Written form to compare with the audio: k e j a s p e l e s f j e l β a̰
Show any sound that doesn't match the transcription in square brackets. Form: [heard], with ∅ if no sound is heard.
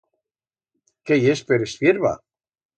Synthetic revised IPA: k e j [e] s p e [ɾ] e s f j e [ɾ] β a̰